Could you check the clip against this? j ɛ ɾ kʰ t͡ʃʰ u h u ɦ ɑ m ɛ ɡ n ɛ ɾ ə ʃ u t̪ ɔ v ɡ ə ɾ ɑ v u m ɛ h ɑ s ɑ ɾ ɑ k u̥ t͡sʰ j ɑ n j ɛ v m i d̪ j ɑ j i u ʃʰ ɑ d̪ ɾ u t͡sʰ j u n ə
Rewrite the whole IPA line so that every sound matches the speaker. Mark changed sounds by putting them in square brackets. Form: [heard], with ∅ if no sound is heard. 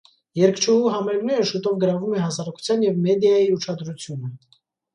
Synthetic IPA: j ɛ ɾ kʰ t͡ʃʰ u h u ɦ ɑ m ɛ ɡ n ɛ ɾ ə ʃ u t̪ ɔ v ɡ ə ɾ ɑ v u m ɛ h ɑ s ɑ ɾ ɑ k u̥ t͡sʰ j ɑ n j ɛ v m [ɛ] d̪ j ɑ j i u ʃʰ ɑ d̪ ɾ u t͡sʰ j u n ə

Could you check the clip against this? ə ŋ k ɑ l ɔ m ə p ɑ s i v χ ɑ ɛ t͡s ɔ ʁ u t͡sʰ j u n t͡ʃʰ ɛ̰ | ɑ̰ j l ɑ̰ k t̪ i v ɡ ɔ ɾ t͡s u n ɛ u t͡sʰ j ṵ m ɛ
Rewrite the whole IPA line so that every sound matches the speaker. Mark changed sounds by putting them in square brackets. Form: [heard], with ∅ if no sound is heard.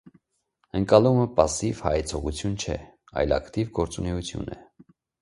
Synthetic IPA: ə ŋ k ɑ l [u] m ə p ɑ s i v [h] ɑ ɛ [t͡sʰ] ɔ ʁ u t͡sʰ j u n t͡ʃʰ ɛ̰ | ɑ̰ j l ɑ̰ k t̪ i v ɡ ɔ ɾ t͡s u n ɛ u t͡sʰ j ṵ [n] ɛ

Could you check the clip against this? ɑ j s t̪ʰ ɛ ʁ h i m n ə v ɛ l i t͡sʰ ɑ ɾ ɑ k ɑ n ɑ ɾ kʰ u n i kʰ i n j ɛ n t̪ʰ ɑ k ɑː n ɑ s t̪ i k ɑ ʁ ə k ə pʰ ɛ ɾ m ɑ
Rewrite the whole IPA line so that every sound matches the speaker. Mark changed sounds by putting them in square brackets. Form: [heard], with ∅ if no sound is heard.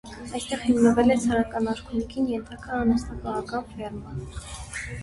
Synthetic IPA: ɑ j s [t̪] ɛ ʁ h i m n ə v ɛ l [ɛ] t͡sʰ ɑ ɾ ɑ k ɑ n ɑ ɾ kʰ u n i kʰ i n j ɛ n t̪ʰ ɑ k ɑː n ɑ s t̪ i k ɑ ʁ [ɑ] k [ɑ] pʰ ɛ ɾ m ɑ

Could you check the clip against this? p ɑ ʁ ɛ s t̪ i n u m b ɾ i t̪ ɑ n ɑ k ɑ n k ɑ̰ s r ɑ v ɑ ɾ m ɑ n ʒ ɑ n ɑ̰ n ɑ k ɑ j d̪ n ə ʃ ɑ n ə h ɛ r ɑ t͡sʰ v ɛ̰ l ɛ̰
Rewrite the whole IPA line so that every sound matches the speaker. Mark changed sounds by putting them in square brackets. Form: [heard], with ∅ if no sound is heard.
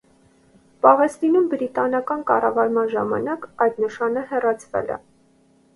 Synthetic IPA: p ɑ ʁ ɛ s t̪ i n u m b ɾ i t̪ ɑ n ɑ k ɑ n k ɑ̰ [∅] r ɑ v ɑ ɾ m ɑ n ʒ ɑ [m] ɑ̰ n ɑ k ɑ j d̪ n ə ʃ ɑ n ə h ɛ r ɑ t͡sʰ v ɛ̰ l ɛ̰

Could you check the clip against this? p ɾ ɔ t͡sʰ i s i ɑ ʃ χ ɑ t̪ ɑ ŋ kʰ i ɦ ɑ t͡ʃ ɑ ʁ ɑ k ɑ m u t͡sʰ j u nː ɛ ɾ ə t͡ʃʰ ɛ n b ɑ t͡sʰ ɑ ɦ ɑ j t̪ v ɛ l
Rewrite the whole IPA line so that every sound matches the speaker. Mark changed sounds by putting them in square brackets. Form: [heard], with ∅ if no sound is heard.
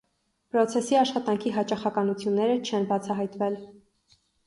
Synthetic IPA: p ɾ ɔ t͡sʰ [ɛ] s i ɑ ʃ χ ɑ t̪ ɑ ŋ kʰ i ɦ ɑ t͡ʃ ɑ [χ] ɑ k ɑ [n] u t͡sʰ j u nː ɛ ɾ ə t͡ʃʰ ɛ n b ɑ t͡sʰ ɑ ɦ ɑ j t̪ v ɛ l

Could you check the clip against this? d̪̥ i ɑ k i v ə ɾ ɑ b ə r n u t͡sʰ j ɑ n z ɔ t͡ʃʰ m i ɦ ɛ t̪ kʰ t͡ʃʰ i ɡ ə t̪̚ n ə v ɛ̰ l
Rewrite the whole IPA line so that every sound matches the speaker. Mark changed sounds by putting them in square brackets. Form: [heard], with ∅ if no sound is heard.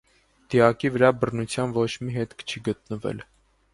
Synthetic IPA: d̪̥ i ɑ k i v ə ɾ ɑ b ə r n u t͡sʰ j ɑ n [v] ɔ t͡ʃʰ m i ɦ ɛ t̪ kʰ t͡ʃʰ i ɡ ə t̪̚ n ə v ɛ̰ l

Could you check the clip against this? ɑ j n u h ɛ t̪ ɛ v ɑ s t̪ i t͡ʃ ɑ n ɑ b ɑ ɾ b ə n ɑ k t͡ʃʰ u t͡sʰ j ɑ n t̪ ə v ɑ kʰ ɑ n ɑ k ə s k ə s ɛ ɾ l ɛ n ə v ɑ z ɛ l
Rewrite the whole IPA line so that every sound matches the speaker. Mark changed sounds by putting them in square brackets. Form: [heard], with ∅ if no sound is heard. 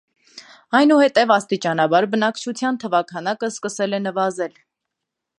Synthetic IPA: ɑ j n u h ɛ t̪ ɛ v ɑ s t̪ i t͡ʃ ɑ n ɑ b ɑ ɾ b ə n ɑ k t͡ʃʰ u t͡sʰ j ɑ n [t̪ʰ] ə v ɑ kʰ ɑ n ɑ k ə s k ə s ɛ [∅] l ɛ n ə v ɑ z ɛ l

